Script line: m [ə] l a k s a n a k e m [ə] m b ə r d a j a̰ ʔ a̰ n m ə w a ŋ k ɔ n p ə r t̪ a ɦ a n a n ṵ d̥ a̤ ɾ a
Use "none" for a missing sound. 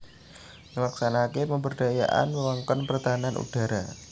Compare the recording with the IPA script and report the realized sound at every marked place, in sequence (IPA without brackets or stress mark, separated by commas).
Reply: ə, ə